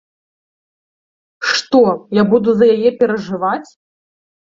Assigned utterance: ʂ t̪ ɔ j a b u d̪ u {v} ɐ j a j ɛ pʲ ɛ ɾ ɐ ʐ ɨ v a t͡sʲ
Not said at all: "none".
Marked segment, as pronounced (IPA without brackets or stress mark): z